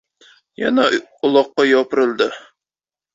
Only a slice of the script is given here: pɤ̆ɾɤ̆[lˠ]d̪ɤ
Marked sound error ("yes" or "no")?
no